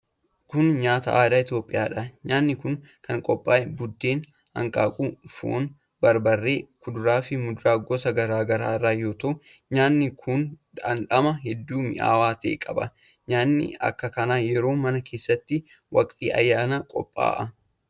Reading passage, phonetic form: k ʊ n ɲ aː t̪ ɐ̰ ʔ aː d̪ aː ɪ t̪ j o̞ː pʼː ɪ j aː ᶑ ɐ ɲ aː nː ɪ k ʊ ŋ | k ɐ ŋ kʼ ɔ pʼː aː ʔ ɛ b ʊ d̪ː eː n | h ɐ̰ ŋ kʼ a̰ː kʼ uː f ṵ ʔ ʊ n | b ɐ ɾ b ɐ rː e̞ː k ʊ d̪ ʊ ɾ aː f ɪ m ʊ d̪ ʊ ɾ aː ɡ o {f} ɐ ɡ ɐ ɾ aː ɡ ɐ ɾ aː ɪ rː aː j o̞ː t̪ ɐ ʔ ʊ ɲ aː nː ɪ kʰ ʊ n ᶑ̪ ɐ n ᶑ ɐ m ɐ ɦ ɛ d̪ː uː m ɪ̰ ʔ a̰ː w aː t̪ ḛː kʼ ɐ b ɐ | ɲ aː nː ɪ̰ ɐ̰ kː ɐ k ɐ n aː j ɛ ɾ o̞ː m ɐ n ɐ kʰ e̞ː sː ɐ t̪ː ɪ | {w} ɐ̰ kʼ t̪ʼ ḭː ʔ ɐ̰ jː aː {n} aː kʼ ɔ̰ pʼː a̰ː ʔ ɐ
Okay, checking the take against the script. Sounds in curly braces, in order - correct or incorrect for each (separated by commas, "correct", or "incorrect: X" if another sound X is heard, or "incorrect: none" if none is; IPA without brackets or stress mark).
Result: incorrect: s, correct, correct